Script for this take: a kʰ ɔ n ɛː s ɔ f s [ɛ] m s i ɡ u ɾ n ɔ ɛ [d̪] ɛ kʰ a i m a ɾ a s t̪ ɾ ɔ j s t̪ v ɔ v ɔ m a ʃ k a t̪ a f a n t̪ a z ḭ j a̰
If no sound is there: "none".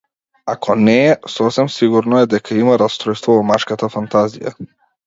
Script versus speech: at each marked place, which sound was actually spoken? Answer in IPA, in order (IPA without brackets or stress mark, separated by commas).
ɛ, d̪